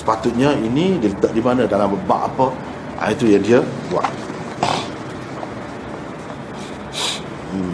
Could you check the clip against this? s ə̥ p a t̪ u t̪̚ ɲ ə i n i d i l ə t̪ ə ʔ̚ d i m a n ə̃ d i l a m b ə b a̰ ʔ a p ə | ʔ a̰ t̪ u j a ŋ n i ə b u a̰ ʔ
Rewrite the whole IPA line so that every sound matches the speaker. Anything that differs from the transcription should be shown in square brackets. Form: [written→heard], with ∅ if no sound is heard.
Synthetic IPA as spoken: s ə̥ p a t̪ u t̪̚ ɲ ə i n i d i l ə t̪ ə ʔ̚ d i m a n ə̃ d [i→a] l a m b ə b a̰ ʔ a p ə | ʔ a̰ t̪ u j a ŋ [n→d] i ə b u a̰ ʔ